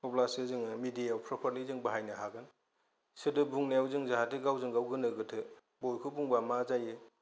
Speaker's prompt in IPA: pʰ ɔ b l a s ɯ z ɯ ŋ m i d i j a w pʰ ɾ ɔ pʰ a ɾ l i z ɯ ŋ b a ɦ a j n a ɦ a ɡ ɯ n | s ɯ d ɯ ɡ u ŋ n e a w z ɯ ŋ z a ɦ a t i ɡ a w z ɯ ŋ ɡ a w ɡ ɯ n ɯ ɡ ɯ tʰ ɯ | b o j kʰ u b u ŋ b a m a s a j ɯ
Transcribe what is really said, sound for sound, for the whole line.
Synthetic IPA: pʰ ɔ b l a s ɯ z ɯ ŋ m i d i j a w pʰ ɾ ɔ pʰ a ɾ l i z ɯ ŋ b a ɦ a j n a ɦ a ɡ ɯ n | s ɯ d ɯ b u ŋ n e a w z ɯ ŋ z a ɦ a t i ɡ a w z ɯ ŋ ɡ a w ɡ ɯ n ɯ ɡ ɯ tʰ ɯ | b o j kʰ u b u ŋ b a m a z a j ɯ